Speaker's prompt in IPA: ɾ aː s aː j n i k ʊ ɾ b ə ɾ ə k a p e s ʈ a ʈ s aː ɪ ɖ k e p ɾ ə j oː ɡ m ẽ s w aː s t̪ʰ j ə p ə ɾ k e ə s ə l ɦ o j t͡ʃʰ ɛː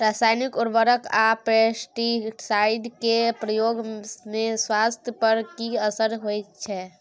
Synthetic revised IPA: ɾ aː s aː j n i k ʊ ɾ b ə ɾ ə k a p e s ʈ i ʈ s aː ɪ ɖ k e p ɾ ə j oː ɡ m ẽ s w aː s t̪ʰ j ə p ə ɾ k i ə s ə ɾ ɦ o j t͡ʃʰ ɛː